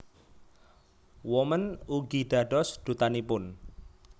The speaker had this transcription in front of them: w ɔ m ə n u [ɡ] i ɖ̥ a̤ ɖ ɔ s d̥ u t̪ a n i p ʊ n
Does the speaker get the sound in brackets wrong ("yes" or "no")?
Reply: no